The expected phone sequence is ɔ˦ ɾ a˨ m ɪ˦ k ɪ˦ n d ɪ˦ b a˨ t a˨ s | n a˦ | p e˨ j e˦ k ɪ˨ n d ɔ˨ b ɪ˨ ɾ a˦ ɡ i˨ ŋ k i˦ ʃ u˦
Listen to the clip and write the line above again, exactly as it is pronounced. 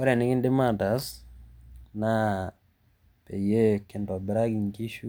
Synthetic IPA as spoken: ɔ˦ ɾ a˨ n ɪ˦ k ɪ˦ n d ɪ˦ m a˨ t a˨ s | n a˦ | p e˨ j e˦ k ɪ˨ n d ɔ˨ b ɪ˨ ɾ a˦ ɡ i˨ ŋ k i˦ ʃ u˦